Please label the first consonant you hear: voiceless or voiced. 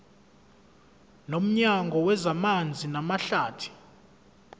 voiced